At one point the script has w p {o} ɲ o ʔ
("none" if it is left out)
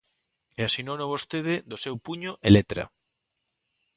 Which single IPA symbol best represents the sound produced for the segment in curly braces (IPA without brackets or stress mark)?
u